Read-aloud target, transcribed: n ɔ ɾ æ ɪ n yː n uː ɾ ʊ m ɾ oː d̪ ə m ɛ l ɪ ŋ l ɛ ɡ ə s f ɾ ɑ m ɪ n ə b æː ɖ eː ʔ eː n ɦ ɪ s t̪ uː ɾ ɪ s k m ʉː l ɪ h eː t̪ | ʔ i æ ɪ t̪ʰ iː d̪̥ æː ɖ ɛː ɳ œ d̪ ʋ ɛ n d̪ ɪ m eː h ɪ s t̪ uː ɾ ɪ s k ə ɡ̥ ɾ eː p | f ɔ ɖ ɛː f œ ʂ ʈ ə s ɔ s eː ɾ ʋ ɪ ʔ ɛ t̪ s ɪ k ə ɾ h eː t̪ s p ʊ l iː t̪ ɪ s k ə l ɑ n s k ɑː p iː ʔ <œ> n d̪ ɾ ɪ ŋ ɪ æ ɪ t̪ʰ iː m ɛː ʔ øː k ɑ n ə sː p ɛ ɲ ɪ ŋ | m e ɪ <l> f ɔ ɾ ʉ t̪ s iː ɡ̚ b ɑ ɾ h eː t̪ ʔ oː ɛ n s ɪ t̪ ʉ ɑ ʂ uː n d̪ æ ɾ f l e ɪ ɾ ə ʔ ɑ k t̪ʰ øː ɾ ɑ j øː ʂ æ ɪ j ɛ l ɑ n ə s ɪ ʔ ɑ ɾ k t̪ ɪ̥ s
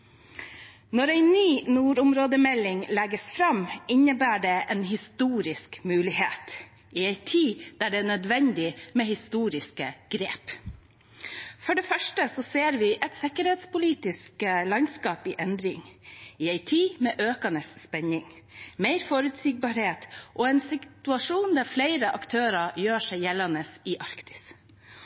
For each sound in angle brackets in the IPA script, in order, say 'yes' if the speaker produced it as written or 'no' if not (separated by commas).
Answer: no, no